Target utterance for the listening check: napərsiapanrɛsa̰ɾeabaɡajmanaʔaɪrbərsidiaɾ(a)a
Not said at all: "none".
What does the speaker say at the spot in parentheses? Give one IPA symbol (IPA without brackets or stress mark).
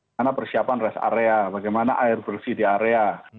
e